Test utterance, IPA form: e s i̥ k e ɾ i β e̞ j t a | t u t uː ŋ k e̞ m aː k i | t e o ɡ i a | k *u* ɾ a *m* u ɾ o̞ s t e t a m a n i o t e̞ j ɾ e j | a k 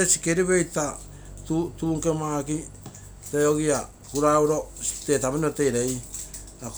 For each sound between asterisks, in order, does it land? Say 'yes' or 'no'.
yes, no

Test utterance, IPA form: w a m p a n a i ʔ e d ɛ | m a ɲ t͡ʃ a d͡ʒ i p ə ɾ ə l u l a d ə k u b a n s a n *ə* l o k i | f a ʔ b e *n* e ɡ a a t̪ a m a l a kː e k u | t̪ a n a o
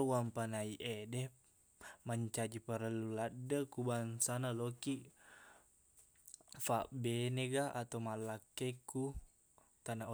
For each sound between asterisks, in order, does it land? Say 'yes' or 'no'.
no, yes

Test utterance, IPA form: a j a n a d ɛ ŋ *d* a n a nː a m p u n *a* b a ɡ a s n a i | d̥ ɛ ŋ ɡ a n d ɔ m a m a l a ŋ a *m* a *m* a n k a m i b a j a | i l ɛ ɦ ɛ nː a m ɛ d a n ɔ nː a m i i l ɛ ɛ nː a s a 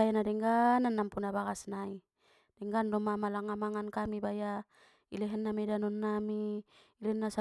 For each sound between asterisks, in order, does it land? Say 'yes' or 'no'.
no, yes, yes, no

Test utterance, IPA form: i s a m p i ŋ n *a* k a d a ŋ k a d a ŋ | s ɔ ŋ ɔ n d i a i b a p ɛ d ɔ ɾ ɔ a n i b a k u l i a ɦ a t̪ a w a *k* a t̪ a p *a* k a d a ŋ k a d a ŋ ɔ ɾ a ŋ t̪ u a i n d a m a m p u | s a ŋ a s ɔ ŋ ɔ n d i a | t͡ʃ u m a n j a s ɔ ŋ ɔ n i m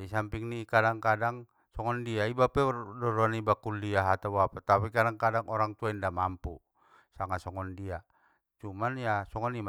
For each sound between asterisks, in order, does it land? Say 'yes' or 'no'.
no, no, no

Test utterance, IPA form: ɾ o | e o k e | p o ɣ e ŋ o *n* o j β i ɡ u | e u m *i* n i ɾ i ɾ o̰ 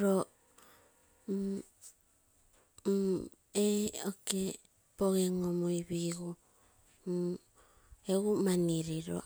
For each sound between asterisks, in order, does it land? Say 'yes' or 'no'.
no, no

